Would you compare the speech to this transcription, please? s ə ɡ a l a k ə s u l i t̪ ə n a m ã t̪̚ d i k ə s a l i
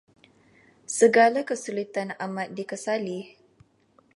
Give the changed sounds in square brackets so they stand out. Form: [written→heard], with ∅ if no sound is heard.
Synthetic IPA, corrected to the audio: s ə ɡ a l a k ə s u l i t̪ [ə→a] n a m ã t̪̚ d i k ə s a l i